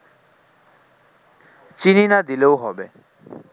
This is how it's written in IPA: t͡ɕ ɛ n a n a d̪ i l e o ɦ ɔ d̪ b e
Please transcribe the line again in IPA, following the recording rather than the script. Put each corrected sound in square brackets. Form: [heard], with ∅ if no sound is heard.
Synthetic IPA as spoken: t͡ɕ [i] n [i] n a d̪ i l e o ɦ ɔ [∅] b e